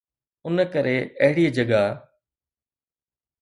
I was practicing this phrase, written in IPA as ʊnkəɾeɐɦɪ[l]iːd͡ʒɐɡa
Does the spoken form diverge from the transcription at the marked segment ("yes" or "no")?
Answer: yes